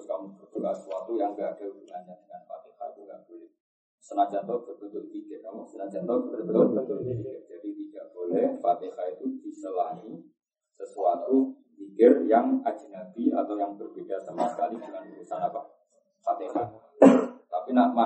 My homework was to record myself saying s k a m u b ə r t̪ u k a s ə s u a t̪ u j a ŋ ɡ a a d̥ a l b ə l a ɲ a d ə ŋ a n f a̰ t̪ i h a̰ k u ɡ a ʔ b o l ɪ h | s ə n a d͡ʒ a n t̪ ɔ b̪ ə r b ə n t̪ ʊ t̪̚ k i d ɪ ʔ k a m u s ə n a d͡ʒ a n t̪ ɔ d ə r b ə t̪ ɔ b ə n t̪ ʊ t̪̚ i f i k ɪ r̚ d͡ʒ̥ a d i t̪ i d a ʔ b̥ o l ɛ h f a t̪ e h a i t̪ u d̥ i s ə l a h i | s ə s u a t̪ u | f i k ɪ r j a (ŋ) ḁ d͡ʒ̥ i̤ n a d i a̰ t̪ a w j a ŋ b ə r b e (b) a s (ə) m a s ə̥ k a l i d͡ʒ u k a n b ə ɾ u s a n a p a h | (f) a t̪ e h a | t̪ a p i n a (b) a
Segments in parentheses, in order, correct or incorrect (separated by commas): correct, incorrect, incorrect, correct, incorrect